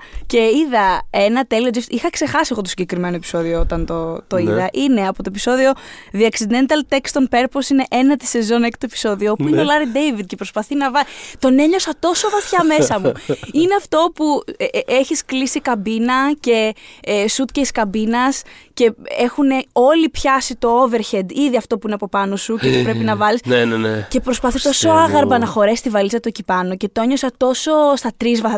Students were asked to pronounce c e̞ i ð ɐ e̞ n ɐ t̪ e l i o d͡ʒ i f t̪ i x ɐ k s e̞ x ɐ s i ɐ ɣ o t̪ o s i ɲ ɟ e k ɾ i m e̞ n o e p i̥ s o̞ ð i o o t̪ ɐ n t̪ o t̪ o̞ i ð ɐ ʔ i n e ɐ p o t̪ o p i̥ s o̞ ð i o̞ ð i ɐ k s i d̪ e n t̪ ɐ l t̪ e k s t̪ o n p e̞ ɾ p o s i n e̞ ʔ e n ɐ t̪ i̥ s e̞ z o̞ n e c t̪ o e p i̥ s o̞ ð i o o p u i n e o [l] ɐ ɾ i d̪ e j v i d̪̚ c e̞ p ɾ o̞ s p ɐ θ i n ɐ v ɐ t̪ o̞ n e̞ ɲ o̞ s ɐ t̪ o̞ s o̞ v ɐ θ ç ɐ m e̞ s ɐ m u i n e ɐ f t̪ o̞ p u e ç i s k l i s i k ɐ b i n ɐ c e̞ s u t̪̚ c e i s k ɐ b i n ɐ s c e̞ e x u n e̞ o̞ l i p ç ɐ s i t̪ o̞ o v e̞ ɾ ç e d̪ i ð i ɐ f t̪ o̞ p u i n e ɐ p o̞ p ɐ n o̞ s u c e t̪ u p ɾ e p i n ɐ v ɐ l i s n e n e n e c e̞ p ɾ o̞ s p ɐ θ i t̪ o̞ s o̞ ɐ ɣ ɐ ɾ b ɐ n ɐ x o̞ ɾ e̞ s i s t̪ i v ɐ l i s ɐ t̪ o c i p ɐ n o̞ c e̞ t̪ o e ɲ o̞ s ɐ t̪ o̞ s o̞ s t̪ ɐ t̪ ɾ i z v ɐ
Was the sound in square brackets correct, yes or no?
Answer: yes